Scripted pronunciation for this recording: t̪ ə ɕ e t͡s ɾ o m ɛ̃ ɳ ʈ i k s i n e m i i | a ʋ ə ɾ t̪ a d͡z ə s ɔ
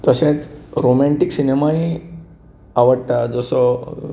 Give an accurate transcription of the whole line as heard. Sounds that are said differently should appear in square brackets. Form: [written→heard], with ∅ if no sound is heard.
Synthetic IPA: t̪ ə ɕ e t͡s ɾ o m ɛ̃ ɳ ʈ i k s i n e m [i→a] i | a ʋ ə [ɾ→ɽ] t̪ a d͡z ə s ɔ